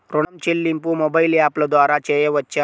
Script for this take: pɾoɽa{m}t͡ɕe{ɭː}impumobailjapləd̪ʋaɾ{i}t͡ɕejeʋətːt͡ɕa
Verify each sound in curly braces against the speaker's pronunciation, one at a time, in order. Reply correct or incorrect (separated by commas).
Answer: correct, incorrect, incorrect